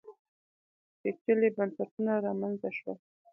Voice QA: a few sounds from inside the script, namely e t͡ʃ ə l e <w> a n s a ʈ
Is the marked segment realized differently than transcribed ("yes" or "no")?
yes